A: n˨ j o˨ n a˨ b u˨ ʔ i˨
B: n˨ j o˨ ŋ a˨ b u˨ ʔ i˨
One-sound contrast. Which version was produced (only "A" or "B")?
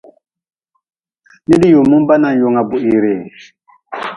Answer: B